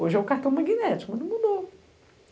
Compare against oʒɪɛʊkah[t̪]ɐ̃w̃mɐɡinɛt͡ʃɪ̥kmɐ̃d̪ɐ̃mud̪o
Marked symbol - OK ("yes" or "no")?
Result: yes